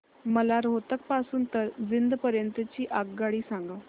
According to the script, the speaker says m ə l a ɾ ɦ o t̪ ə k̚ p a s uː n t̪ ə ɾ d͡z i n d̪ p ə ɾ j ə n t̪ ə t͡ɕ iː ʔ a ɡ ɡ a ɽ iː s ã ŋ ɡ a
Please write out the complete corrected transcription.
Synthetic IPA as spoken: m ə l a ɾ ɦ o t̪ ə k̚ p a s uː n t̪ ə ɾ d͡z i n d̪ p ə ɾ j ə n t̪ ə t͡ɕ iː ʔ a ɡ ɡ a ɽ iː s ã ŋ ɡ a